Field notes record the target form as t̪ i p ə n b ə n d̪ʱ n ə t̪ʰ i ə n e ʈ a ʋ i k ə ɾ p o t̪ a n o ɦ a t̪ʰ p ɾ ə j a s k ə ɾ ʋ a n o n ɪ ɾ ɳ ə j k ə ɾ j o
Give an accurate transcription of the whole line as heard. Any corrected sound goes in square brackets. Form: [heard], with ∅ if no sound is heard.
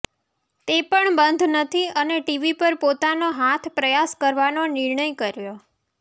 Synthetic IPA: t̪ [e] p ə [ɳ] b ə n d̪ʱ n ə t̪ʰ i ə n e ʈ [i] ʋ i [p] ə ɾ p o t̪ a n o ɦ a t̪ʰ p ɾ ə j a s k ə ɾ ʋ a n o n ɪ ɾ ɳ ə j k ə ɾ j o